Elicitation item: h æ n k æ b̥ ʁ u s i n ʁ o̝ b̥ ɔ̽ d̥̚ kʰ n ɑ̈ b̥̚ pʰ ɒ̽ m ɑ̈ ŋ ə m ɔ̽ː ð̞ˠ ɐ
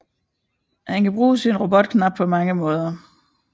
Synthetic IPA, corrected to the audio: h æ n k æ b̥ ʁ uː s i n ʁ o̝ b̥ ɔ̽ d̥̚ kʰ n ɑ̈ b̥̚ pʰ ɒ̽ m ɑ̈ ŋ ə m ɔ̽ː ð̞ˠ ɐ